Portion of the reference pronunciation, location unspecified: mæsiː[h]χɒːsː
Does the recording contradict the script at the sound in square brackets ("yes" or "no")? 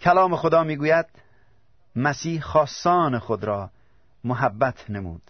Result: no